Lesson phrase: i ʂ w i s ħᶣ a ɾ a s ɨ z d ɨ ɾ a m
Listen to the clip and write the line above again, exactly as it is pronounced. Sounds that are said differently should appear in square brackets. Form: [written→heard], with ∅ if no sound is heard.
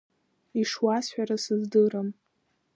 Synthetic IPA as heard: i ʂ w [i→a] s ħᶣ a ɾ a s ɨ z d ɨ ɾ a m